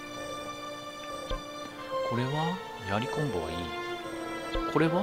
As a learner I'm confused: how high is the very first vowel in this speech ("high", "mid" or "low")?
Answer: mid